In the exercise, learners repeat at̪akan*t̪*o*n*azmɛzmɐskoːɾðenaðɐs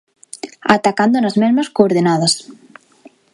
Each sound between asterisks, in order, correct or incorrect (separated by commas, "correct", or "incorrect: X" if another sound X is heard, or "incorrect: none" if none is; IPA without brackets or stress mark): incorrect: d̪, correct